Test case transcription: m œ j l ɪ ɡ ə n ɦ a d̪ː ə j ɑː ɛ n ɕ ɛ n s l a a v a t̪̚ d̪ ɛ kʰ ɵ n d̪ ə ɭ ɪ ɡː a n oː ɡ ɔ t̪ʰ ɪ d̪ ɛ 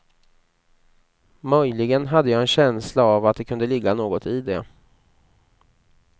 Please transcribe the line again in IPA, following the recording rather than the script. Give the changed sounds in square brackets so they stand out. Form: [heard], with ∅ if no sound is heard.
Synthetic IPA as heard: m œ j l ɪ ɡ ə n ɦ a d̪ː ə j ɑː ɛ n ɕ ɛ n s l a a v a t̪̚ d̪ ɛ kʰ ɵ n d̪ ə [l] ɪ ɡː a n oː ɡ ɔ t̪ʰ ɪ d̪ ɛ